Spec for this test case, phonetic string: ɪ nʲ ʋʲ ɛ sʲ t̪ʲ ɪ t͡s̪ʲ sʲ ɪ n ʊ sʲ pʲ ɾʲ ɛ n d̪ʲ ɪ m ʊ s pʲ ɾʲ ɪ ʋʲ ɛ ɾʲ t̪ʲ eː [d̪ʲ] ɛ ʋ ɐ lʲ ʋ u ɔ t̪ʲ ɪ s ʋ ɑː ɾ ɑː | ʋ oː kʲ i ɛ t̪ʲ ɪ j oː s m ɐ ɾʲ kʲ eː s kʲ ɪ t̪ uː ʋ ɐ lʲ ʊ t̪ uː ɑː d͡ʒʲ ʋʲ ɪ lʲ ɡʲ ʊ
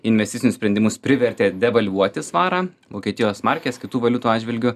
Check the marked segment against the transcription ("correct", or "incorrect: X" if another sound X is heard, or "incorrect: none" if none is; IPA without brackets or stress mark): correct